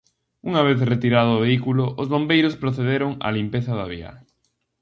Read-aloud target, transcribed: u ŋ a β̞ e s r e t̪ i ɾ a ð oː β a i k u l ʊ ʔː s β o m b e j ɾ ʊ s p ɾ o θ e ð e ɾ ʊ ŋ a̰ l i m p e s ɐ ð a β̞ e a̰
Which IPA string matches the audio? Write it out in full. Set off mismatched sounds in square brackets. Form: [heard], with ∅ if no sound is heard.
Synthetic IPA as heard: u ŋ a β̞ e [θ] r e t̪ i ɾ a ð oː β [e] i k u l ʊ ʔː [z] β o m b e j ɾ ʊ s p ɾ o θ e ð e ɾ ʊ ŋ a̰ l i m p e [θ] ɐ ð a β̞ [i] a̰